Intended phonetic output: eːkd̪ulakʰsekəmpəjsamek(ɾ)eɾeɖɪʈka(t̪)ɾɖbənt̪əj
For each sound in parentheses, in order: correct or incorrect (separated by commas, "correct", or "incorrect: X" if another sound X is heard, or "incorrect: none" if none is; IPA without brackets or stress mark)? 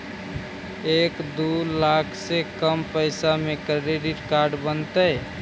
correct, incorrect: none